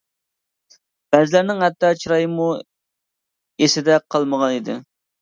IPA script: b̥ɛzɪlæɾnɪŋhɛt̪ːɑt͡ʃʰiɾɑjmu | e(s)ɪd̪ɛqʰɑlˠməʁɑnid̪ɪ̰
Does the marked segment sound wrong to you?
no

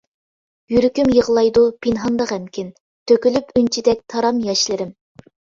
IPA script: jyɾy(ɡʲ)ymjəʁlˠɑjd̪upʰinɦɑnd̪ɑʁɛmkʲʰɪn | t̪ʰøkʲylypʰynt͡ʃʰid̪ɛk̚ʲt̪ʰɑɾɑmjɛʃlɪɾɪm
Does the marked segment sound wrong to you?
yes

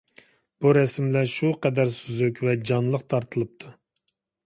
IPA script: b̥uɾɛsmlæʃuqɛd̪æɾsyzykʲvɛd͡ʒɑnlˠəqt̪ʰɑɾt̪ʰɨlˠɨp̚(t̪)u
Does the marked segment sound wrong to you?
yes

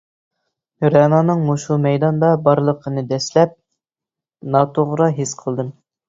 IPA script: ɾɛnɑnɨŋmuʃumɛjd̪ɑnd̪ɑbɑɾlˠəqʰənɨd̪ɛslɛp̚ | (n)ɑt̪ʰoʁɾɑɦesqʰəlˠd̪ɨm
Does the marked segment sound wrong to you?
no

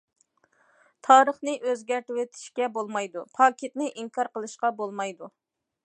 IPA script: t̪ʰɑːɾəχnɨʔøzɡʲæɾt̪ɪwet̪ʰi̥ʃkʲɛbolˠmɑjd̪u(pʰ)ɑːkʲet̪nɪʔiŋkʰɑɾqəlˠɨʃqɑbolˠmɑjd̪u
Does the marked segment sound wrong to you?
no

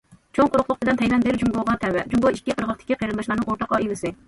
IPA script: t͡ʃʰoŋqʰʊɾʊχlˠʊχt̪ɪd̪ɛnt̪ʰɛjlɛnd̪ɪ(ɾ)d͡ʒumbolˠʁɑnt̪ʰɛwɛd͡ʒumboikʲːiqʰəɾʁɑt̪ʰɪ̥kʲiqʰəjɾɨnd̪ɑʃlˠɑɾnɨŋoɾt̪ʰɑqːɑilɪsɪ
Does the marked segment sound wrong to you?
no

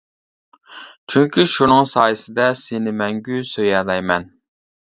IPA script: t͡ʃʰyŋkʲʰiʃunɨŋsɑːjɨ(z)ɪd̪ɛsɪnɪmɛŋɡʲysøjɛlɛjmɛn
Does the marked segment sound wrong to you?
yes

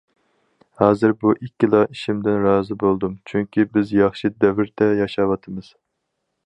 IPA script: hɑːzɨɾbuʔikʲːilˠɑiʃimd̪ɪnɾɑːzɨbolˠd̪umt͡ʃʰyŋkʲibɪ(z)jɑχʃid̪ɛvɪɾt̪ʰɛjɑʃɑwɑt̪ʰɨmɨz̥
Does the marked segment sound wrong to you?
no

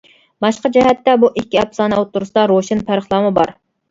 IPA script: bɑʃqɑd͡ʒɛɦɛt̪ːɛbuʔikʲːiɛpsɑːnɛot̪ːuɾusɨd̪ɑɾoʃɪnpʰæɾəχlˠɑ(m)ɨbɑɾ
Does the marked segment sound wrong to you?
no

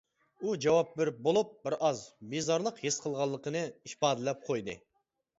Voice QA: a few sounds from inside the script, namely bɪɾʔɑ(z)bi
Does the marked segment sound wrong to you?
no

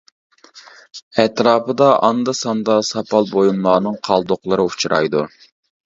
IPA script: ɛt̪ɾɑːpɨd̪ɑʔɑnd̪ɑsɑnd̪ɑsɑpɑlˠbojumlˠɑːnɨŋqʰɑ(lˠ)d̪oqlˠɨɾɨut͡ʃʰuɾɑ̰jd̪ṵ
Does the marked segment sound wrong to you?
no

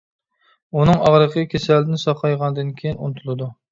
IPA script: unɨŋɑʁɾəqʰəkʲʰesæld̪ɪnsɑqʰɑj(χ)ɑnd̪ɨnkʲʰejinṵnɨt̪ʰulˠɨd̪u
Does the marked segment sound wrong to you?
yes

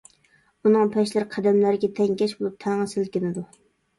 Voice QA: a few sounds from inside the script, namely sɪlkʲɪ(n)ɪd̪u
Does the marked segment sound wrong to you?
no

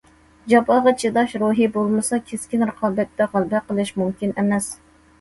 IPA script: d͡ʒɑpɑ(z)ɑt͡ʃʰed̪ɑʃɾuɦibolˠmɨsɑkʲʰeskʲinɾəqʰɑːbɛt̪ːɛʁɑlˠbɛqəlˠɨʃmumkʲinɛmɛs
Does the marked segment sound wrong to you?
yes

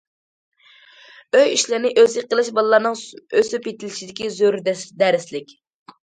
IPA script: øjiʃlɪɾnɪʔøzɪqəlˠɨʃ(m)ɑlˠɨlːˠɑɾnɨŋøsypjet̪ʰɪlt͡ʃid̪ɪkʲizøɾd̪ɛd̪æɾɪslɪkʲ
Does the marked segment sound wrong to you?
yes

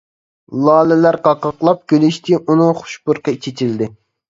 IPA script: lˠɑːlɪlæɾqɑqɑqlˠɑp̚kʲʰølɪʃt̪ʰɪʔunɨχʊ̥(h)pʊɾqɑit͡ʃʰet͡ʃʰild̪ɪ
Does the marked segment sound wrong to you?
yes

